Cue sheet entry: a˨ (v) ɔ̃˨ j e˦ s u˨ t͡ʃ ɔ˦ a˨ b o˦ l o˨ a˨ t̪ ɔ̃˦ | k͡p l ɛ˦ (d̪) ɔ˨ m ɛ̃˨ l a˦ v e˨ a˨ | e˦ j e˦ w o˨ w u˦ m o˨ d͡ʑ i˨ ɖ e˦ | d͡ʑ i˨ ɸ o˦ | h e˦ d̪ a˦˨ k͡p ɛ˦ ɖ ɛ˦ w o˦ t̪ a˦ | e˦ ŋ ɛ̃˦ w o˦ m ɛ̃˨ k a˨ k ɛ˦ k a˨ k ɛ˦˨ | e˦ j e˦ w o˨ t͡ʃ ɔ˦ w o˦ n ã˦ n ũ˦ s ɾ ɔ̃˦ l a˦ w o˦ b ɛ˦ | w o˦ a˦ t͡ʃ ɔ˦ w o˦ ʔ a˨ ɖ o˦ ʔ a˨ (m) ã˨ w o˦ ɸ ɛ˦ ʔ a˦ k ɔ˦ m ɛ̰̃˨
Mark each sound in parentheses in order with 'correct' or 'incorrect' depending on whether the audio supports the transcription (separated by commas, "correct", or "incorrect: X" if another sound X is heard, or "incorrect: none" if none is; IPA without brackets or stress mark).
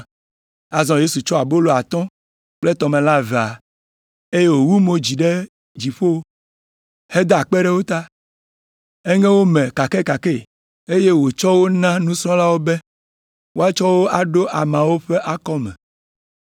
incorrect: z, incorrect: t̪, correct